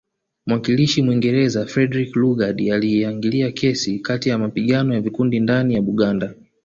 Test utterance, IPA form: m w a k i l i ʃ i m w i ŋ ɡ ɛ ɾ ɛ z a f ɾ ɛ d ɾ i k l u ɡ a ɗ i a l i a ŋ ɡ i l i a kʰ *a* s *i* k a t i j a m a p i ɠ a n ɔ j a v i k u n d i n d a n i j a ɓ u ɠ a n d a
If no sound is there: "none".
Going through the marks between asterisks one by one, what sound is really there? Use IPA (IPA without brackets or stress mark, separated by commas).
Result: ɛ, i